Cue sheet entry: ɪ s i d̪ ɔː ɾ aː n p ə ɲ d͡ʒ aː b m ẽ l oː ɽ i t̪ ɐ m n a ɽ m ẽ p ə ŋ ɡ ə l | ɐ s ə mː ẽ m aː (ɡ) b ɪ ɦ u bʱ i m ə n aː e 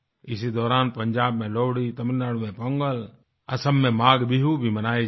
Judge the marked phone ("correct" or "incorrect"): correct